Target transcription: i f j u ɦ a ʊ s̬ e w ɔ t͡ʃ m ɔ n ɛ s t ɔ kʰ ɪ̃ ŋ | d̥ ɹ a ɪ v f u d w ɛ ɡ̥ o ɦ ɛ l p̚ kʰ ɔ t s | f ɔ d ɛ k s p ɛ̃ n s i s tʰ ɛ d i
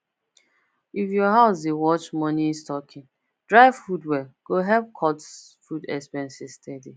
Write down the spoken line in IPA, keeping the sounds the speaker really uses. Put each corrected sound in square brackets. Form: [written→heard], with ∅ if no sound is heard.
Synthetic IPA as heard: i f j [u→ɔ] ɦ a ʊ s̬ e w ɔ t͡ʃ m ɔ n [ɛ→i] s t ɔ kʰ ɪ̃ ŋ | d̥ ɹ a ɪ v f u d w ɛ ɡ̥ o ɦ ɛ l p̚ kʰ ɔ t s | f [ɔ→u] d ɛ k s p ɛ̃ n s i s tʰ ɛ d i